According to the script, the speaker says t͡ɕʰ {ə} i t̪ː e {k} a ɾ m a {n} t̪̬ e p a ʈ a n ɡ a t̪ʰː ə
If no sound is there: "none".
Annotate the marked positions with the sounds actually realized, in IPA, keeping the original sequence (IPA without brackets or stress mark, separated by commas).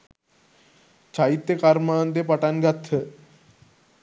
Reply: a, k, n